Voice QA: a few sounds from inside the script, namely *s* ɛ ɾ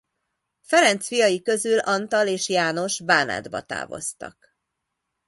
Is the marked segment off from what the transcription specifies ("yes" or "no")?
yes